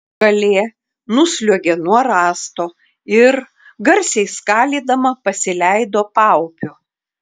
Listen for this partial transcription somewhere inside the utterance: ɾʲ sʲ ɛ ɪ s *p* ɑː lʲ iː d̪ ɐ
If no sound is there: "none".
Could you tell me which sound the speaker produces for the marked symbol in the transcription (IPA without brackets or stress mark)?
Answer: k